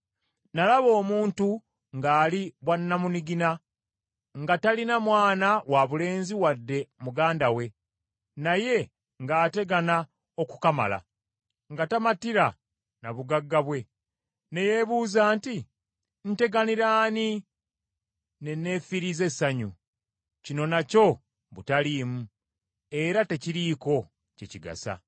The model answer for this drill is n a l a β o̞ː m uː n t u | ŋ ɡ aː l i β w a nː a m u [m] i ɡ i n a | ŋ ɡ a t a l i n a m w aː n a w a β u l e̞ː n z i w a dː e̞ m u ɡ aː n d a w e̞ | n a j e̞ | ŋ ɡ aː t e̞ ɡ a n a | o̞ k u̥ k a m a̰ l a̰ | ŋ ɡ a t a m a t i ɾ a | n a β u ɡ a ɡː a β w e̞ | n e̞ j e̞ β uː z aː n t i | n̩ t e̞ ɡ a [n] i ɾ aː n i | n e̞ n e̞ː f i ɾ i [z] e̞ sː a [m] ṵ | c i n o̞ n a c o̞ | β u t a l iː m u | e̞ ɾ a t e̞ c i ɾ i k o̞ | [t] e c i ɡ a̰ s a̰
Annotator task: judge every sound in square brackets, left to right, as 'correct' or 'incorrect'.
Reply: incorrect: n, correct, correct, incorrect: ɲ, incorrect: c

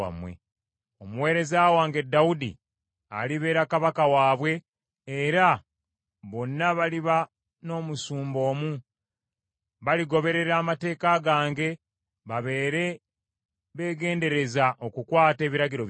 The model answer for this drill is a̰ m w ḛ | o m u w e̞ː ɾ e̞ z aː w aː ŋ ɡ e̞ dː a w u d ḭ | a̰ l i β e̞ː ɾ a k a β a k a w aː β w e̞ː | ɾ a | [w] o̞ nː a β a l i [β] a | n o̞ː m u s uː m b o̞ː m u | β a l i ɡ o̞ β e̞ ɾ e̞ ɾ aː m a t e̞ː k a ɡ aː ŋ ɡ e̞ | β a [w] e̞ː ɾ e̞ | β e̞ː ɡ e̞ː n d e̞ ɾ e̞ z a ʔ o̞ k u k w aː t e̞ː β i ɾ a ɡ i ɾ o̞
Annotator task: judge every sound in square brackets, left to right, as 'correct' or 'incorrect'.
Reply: incorrect: β, correct, incorrect: β

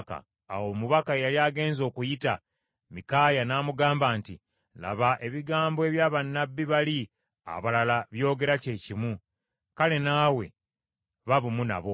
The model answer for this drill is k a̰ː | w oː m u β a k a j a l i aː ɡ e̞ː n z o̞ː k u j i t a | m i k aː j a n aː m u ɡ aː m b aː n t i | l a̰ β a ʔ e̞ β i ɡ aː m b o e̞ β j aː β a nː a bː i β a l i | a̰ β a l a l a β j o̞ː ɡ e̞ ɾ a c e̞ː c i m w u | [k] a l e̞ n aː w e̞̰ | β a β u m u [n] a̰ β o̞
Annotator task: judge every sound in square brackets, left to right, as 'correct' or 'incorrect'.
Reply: correct, correct

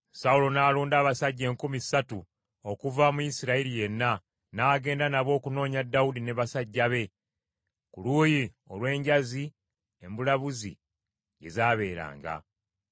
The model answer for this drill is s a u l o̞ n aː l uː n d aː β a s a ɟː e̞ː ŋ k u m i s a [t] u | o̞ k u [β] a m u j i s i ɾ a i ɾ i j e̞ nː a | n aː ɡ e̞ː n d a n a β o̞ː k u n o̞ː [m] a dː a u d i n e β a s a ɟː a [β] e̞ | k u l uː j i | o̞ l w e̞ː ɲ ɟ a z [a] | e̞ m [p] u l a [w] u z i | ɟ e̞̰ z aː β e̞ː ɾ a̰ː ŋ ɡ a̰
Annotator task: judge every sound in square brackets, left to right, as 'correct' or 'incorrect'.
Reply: correct, incorrect: v, incorrect: ɲ, correct, incorrect: i, incorrect: b, incorrect: β

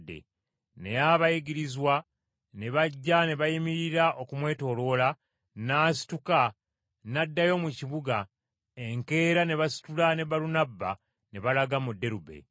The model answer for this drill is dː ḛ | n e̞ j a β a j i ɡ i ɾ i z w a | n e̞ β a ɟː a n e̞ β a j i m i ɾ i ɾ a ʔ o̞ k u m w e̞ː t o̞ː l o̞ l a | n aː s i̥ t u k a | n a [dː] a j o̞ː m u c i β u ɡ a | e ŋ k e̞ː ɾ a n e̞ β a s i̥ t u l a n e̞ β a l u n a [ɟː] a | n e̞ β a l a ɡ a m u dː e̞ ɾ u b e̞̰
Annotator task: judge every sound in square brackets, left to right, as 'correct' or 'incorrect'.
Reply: correct, incorrect: bː

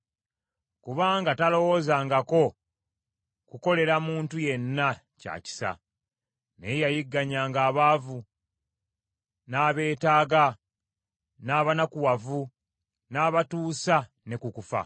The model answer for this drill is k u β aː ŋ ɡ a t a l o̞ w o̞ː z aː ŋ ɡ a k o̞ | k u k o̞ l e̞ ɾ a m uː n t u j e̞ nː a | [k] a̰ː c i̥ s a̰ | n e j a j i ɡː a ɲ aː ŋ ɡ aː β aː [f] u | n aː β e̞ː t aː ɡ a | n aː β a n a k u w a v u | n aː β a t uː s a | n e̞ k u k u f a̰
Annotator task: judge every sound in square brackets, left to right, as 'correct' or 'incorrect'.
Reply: incorrect: c, incorrect: v

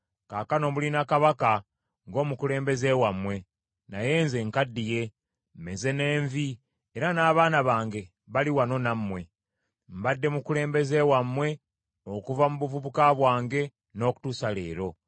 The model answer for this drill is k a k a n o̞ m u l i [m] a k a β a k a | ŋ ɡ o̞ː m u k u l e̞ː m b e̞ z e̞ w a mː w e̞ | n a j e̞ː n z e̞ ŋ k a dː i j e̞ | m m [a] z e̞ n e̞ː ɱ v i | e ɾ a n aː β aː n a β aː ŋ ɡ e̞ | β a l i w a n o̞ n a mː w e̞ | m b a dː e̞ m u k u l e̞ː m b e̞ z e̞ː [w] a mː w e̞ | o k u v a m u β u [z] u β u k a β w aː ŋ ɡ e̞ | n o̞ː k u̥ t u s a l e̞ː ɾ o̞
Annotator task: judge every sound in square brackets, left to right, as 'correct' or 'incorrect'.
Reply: incorrect: n, incorrect: e, correct, incorrect: v

